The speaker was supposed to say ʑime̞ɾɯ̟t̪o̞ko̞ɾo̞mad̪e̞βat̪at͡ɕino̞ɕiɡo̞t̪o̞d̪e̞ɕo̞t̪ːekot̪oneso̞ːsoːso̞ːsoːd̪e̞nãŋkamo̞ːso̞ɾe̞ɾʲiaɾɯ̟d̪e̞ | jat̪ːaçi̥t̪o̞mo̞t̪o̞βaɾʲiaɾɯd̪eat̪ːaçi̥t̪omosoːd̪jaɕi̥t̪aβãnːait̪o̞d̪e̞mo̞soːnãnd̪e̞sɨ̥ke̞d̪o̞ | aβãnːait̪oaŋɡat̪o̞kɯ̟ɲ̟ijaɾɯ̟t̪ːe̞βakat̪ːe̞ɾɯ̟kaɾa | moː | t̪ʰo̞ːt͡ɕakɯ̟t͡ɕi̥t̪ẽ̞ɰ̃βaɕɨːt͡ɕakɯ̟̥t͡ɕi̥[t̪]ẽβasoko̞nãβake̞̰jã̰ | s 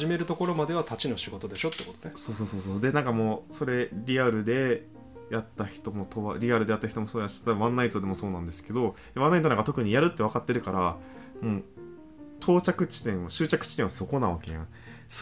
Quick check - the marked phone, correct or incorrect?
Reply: correct